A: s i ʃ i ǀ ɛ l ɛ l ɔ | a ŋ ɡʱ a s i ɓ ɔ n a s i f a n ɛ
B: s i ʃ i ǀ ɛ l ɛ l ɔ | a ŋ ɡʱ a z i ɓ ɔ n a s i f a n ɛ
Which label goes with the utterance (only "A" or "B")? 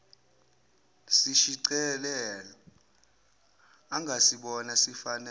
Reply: A